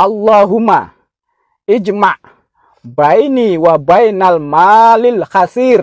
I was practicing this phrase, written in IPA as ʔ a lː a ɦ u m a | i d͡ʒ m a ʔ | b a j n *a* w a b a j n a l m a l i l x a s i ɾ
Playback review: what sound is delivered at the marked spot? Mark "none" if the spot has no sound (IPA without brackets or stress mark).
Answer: i